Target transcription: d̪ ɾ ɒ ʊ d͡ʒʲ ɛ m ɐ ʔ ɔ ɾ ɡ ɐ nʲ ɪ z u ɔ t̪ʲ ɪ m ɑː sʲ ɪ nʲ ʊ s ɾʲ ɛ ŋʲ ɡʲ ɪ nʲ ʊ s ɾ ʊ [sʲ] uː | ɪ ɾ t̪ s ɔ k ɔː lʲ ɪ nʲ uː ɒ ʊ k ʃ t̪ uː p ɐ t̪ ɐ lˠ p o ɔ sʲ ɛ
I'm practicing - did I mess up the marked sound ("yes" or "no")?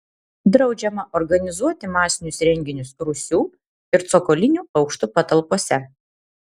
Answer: no